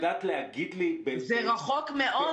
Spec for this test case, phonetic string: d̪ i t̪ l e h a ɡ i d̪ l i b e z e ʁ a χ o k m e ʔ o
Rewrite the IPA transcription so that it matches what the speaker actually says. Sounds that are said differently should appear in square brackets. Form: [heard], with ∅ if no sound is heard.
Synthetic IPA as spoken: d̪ [a] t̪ l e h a ɡ i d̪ l i b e z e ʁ a χ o k m e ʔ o